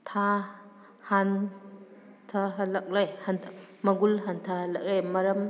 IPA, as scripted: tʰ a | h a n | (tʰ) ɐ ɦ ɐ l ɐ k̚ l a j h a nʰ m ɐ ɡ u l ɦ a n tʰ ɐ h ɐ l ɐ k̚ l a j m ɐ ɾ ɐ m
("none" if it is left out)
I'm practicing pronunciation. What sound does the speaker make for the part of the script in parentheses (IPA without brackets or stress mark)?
tʰ